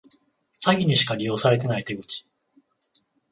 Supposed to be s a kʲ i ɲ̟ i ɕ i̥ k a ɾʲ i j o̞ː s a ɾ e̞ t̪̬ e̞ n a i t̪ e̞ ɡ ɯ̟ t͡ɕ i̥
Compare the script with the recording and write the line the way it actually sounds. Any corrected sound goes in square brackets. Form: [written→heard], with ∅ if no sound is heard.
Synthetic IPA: s a [kʲ→ɡʲ] i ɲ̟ i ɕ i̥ k a ɾʲ i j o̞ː s a ɾ e̞ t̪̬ e̞ n a i t̪ e̞ ɡ ɯ̟ t͡ɕ i̥